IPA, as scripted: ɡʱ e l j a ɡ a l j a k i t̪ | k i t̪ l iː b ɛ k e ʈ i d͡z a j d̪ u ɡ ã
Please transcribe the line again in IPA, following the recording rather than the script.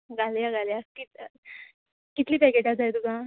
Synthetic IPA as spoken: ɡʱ a l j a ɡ a l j a k i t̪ | k i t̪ l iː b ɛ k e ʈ a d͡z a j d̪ u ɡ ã